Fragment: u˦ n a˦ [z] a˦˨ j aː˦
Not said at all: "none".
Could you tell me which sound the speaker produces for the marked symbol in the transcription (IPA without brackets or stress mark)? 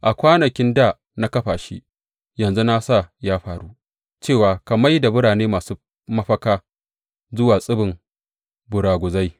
s